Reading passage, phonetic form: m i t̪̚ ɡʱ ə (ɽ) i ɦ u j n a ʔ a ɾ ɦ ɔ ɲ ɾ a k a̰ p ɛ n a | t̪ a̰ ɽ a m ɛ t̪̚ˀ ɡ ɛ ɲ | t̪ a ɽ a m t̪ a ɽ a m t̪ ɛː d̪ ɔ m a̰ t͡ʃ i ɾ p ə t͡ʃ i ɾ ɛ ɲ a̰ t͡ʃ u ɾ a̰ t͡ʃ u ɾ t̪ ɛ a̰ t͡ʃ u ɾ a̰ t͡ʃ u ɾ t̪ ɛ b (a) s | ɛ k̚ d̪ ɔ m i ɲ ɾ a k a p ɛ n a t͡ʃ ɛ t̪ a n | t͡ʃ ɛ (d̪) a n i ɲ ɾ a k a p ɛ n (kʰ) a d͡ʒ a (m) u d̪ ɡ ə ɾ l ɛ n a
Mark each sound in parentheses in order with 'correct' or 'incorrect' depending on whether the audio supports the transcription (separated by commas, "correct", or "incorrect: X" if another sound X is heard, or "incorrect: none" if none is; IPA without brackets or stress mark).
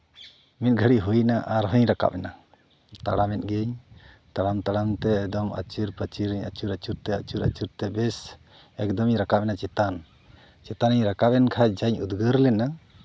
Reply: correct, incorrect: ɛ, incorrect: t̪, correct, incorrect: ɲ